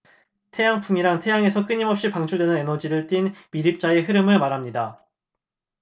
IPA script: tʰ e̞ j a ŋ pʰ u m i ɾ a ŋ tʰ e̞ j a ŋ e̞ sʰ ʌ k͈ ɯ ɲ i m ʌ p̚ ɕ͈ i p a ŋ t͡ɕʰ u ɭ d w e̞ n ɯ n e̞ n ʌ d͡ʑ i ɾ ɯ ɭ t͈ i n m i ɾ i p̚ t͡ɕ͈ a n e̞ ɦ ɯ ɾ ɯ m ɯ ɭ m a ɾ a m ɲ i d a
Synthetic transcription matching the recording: tʰ e̞ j a ŋ pʰ u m i ɾ a ŋ tʰ e̞ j a ŋ e̞ sʰ ʌ k͈ ɯ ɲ i m ʌ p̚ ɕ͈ i p a ŋ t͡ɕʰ u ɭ d w e̞ n ɯ n e̞ n ʌ d͡ʑ i ɾ ɯ ɭ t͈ i n m i ɾ i p̚ t͡ɕ͈ a e̞ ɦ ɯ ɾ ɯ m ɯ ɭ m a ɾ a m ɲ i d a